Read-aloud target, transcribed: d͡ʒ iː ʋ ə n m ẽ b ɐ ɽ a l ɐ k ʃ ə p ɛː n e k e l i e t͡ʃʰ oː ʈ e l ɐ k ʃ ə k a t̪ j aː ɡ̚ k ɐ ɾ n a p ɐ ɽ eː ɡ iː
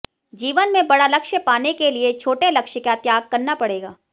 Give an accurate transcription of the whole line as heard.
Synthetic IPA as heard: d͡ʒ iː ʋ ə n m ẽ b ɐ ɽ a l ɐ k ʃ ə p aː n e k e l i e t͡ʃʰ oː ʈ e l ɐ k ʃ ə k a t̪ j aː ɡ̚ k ɐ ɾ n a p ɐ ɽ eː ɡ aː